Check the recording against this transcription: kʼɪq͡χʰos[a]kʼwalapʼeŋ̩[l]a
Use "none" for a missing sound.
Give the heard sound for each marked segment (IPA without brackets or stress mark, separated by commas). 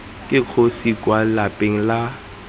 i, l